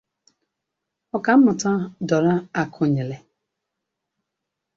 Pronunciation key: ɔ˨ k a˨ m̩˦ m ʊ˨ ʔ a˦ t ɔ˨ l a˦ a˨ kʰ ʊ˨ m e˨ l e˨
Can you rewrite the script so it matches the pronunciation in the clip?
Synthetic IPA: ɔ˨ k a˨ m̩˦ m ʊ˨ t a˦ d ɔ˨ ɾ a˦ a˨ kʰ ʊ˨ ɲ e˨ l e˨